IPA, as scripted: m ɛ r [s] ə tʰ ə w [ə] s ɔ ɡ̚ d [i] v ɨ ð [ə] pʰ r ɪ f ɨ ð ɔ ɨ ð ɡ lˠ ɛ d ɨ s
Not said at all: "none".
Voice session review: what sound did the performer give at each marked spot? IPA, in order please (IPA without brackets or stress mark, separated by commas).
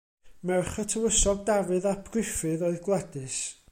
χ, ə, a, a